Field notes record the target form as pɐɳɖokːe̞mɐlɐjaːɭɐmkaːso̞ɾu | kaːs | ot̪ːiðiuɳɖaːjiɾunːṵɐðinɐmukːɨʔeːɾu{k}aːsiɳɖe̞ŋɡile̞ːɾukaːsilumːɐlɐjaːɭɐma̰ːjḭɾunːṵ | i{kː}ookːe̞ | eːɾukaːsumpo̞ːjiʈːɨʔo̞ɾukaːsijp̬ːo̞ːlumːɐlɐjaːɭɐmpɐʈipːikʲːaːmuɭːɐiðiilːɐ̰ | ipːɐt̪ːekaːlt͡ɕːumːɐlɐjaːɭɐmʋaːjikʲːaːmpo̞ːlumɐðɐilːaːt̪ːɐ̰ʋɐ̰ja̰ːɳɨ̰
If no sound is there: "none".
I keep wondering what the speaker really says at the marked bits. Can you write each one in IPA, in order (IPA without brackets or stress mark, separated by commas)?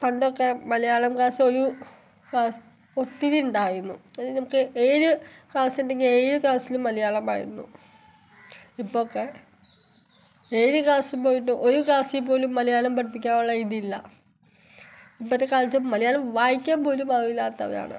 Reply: k, pː